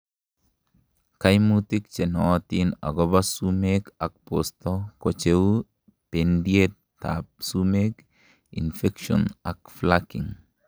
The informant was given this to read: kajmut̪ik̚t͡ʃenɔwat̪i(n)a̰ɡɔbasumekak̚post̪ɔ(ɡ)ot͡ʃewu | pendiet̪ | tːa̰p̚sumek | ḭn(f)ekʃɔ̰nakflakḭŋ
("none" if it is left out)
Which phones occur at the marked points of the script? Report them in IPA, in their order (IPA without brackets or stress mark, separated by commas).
n, k, f